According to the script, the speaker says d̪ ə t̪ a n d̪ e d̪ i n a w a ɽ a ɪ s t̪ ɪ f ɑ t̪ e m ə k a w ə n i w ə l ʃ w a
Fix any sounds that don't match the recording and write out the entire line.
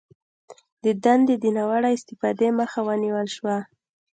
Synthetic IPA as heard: d̪ ə d̪ a n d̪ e d̪ i n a w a ɽ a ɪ s t̪ ɪ f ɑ d̪ e m ə x a w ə n i w ə l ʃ w a